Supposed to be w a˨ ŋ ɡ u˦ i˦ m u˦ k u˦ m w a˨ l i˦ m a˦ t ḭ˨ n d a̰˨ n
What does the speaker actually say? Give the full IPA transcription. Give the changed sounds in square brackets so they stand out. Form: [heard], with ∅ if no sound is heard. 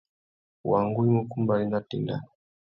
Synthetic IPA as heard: w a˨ ŋ ɡ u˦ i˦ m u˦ k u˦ m [b] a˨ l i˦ [n] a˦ t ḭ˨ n d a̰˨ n